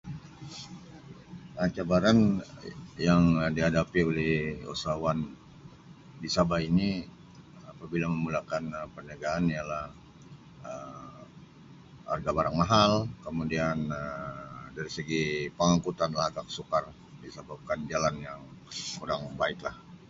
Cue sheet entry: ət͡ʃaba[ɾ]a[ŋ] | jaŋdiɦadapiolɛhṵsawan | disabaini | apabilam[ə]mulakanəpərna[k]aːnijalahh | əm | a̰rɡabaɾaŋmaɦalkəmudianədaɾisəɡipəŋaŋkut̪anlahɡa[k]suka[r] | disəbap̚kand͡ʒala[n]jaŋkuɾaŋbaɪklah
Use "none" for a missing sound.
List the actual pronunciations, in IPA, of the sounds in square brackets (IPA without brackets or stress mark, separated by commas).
ɾ, n, ə, ɡ, k, r, n